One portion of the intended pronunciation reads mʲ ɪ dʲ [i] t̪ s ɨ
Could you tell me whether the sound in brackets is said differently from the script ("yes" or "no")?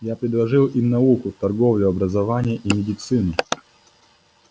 yes